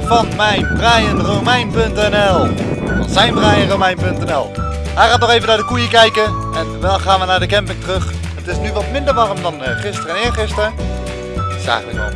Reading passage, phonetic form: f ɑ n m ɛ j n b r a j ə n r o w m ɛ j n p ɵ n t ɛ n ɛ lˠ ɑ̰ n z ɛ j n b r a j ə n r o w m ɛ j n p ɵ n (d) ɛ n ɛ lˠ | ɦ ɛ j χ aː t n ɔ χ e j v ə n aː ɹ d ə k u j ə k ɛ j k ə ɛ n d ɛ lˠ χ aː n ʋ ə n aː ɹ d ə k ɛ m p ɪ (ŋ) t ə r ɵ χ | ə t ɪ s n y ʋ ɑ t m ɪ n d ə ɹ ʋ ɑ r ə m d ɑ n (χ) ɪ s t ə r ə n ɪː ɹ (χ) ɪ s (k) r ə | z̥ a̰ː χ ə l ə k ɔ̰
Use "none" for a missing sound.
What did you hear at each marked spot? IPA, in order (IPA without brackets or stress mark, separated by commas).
t, ŋ, χ, χ, t